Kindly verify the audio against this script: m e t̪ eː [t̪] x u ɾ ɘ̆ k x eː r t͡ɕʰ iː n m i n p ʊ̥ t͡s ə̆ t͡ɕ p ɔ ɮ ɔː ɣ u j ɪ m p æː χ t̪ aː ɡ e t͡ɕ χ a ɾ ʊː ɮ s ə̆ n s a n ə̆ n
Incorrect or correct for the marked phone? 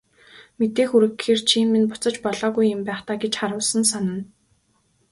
incorrect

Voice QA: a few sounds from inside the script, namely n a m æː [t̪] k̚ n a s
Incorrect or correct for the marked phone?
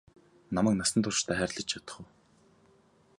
incorrect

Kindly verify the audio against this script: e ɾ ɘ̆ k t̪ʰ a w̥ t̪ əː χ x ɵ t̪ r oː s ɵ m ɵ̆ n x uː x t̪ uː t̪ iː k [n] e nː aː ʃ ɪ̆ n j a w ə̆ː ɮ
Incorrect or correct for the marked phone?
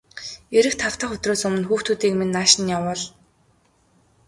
incorrect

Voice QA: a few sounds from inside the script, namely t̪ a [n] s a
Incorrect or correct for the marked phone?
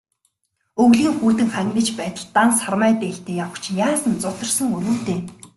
correct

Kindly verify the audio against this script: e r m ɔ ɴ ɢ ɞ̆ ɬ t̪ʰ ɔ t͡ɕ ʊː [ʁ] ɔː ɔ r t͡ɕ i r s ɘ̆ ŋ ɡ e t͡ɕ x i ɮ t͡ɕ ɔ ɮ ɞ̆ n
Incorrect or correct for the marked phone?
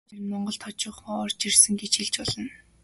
incorrect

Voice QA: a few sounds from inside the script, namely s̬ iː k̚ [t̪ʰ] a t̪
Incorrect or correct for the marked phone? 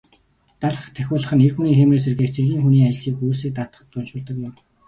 incorrect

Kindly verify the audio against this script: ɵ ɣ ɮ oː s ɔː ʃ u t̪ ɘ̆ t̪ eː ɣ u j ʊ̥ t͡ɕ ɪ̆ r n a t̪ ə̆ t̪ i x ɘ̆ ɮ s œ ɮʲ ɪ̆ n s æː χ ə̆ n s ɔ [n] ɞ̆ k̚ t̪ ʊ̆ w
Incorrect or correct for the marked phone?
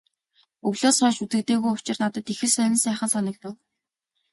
correct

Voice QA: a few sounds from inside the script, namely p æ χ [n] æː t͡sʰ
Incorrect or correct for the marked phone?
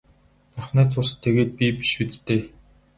correct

